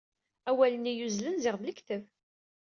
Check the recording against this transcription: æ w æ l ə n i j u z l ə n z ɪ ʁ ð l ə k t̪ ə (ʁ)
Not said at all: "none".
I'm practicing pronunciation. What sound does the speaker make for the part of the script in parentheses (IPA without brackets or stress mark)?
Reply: v